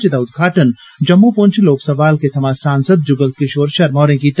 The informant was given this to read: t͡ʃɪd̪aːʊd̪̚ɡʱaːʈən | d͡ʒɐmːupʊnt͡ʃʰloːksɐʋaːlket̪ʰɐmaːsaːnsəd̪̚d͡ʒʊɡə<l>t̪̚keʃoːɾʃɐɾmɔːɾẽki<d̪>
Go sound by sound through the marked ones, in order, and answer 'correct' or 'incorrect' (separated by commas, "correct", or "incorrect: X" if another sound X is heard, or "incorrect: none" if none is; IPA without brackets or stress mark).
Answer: correct, incorrect: t̪